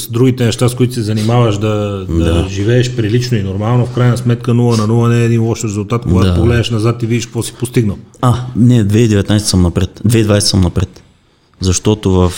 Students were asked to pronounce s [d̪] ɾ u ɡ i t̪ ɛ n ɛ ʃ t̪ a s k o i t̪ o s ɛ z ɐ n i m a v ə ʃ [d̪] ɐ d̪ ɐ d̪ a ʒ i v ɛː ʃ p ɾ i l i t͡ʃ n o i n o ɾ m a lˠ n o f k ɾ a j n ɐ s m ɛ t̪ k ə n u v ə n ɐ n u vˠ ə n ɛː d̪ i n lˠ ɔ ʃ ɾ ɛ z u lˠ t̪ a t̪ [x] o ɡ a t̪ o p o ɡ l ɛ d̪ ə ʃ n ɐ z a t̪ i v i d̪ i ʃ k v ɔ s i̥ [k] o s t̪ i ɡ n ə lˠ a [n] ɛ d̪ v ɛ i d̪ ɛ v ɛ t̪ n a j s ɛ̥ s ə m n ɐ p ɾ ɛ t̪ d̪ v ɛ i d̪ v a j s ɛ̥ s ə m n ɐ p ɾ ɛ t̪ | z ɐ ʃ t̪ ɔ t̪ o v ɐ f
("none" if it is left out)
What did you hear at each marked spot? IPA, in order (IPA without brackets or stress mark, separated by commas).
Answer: d̪, d̪, k, p, n